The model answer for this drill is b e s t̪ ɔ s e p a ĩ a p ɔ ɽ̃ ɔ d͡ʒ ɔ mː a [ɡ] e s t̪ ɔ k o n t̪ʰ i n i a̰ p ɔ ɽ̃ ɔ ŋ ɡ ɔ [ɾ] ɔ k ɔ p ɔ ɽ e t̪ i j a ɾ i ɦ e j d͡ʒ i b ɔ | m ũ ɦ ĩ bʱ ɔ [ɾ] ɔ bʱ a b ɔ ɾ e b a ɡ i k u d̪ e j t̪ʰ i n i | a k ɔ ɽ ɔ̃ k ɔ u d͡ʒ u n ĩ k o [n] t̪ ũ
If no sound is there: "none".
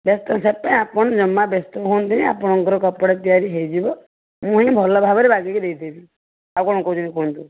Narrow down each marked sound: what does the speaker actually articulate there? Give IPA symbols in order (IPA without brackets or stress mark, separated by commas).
b, ɾ, l, n